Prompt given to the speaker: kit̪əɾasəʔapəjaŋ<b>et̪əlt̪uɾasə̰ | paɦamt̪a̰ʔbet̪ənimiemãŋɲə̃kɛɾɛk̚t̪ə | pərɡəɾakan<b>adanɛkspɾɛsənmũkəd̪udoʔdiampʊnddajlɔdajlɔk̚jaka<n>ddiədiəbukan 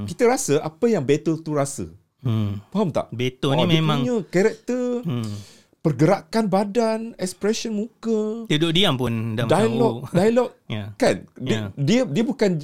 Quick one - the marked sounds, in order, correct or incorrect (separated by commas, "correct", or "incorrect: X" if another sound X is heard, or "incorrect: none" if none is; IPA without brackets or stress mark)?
correct, correct, correct